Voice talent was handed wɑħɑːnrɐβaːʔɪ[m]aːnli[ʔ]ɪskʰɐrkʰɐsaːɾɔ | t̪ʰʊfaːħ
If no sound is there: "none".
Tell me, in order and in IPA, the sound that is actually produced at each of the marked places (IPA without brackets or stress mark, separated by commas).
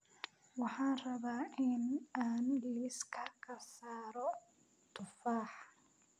n, none